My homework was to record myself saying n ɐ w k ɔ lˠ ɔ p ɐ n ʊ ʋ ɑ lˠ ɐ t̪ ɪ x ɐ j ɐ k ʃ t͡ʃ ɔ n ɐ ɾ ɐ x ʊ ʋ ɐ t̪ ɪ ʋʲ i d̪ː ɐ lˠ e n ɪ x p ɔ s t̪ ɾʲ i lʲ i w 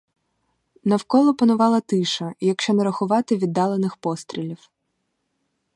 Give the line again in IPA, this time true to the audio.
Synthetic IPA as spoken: n ɐ w k ɔ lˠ ɔ p ɐ n ʊ ʋ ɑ lˠ ɐ t̪ ɪ ʃ ɐ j ɐ k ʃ t͡ʃ ɔ n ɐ ɾ ɐ x ʊ ʋ ɑ t̪ ɪ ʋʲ i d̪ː ɑ lˠ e n ɪ x p ɔ s t̪ ɾʲ i lʲ i w